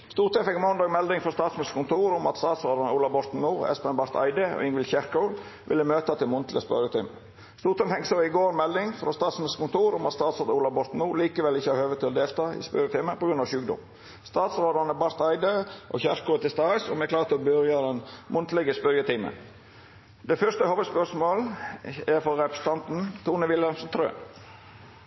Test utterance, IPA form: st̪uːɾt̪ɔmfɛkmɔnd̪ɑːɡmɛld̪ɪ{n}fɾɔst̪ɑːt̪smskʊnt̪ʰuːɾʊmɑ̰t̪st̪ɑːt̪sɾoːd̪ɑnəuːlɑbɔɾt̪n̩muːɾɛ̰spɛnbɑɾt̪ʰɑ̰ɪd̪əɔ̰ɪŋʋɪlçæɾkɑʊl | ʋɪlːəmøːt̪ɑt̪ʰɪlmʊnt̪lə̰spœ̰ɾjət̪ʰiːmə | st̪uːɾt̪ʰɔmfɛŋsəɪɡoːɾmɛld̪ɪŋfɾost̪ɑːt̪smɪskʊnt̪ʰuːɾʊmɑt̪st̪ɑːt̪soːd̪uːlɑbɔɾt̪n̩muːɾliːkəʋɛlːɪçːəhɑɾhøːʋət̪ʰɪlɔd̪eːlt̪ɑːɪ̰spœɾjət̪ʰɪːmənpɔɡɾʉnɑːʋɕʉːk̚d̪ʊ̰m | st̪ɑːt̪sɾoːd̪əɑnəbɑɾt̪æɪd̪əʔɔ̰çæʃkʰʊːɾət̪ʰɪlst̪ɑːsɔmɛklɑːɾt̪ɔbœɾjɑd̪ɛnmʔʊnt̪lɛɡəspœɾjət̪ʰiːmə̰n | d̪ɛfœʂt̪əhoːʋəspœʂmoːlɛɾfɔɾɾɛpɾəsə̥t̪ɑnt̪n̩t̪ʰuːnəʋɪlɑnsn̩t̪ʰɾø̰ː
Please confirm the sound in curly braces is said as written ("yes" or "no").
no